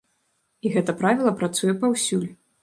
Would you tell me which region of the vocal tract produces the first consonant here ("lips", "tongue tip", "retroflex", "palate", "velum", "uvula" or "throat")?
velum